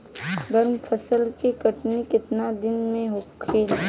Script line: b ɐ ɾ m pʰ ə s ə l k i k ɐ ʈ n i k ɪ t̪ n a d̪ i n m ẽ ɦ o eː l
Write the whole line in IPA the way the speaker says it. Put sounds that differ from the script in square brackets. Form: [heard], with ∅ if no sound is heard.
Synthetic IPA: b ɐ ɾ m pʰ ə s ə l k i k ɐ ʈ n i k ɪ t̪ n a d̪ [ɪ] n m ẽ ɦ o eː l